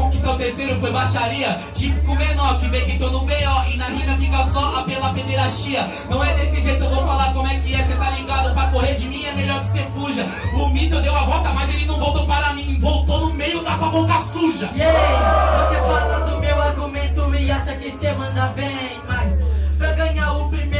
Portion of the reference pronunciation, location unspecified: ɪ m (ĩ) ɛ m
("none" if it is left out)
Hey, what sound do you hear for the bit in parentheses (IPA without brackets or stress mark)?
ĩ